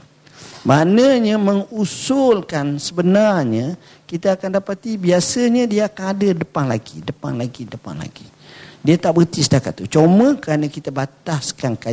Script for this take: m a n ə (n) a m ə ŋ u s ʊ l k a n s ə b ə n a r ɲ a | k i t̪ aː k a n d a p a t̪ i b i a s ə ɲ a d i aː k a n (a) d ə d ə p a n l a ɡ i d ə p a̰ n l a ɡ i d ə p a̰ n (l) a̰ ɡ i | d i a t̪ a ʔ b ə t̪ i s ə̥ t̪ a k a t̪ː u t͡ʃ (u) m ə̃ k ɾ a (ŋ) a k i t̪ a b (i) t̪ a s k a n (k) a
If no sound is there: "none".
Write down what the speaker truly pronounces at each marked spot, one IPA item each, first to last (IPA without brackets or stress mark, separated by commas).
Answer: ɲ, a, l, o, n, a, k